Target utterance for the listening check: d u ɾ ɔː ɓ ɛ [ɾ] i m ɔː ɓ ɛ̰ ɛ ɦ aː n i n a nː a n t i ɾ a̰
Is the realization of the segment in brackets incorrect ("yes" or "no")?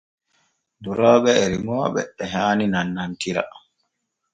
no